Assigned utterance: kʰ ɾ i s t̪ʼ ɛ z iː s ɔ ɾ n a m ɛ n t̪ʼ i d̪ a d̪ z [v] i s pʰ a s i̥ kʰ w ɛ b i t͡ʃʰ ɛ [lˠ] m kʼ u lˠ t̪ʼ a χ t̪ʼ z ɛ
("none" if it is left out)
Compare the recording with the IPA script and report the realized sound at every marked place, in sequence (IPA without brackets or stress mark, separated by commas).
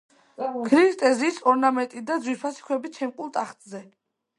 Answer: w, none